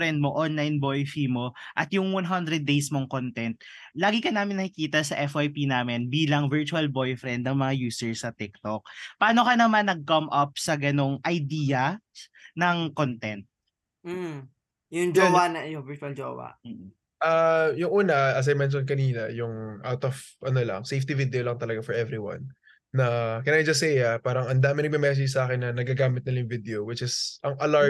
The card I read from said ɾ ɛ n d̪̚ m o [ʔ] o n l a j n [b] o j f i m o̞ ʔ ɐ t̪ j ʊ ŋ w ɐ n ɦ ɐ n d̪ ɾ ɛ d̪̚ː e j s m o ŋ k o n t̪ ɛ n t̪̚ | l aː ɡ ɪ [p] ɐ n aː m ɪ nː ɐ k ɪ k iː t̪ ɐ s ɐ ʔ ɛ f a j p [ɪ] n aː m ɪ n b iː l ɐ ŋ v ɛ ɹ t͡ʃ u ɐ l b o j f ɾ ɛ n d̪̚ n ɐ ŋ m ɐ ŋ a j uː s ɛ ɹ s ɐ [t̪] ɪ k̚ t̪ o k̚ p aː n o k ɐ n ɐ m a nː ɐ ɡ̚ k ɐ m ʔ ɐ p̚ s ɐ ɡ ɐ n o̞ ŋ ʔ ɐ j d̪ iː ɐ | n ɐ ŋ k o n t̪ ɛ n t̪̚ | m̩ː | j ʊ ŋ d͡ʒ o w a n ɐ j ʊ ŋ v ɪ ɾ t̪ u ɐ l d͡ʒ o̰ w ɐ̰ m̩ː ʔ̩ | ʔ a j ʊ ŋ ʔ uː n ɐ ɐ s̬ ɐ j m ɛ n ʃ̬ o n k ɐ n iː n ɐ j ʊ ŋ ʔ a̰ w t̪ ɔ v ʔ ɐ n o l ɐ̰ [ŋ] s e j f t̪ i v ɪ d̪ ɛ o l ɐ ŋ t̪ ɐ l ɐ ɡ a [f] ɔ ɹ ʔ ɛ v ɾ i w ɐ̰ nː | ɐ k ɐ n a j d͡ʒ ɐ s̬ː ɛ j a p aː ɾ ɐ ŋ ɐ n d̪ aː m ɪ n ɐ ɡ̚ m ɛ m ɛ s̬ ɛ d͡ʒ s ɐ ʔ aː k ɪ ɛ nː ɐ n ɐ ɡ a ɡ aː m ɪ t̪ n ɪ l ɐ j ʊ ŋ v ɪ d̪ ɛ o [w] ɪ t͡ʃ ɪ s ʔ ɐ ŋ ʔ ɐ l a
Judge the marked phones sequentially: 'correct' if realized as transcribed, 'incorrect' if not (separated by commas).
correct, correct, incorrect, incorrect, correct, correct, correct, correct